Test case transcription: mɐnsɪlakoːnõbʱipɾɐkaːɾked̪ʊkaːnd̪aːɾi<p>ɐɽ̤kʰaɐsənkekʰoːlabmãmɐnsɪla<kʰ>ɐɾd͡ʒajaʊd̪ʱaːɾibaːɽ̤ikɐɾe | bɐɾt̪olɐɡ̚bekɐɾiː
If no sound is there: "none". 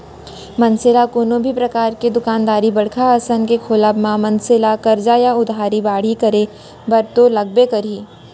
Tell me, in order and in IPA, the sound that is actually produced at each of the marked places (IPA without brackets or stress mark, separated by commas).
b, k